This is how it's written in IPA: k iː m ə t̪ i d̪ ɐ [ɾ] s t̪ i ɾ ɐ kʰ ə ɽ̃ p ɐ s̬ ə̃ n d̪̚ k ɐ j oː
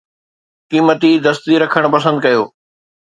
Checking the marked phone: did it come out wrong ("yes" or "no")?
yes